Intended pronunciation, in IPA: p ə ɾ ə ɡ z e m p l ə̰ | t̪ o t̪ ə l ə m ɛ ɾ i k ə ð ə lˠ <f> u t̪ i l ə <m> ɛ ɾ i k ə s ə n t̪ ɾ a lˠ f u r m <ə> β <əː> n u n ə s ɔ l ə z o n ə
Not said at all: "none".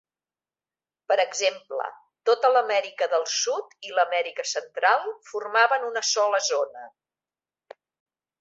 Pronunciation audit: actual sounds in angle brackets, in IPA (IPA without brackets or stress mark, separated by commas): s, m, a, ə